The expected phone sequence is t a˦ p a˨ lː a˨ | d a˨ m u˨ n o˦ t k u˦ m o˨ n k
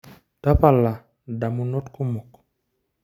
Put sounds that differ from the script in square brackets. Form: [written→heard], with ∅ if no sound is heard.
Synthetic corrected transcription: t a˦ p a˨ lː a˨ | d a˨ m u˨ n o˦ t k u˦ m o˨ [n→∅] k